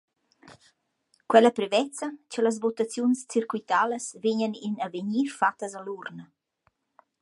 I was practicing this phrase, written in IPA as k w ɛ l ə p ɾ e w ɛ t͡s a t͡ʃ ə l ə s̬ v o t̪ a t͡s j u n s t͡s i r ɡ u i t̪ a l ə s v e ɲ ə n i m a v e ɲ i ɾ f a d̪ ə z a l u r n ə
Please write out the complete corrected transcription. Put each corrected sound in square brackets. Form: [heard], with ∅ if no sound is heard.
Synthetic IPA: k w ɛ l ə p ɾ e [v] ɛ t͡s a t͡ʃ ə l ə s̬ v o t̪ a t͡s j u n s t͡s i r [k] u i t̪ a l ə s v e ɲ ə n i [n] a v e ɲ i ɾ f a [t̪] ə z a l u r n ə